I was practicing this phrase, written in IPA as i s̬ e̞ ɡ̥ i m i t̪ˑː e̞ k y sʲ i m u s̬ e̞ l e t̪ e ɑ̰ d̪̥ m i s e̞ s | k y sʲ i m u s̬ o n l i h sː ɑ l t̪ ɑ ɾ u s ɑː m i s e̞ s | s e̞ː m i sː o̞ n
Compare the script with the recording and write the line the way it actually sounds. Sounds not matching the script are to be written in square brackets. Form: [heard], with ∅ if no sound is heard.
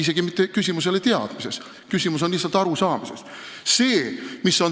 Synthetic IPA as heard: i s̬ e̞ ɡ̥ i m i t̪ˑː e̞ k y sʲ i m u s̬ e̞ l e t̪ e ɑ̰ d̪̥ m i s e̞ s | k y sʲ i m u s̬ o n l i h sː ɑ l t̪ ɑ ɾ u s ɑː m i s e̞ s | s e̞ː m i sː o̞ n